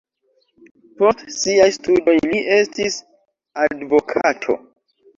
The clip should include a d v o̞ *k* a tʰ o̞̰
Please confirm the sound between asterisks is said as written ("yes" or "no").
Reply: no